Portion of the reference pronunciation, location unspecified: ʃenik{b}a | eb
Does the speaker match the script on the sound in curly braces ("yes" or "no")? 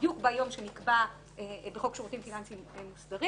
yes